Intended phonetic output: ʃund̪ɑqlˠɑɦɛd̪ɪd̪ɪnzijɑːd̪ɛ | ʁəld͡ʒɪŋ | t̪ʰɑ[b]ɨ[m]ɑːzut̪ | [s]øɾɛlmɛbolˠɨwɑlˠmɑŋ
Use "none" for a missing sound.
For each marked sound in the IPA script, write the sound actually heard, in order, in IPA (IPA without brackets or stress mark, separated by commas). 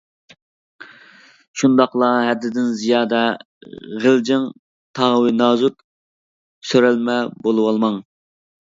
w, n, s